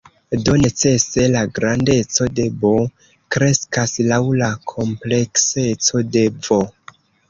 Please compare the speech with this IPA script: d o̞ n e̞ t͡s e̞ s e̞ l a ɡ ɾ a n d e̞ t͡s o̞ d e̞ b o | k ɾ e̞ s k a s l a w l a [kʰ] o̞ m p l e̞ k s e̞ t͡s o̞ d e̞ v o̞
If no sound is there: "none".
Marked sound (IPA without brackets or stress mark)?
kʰ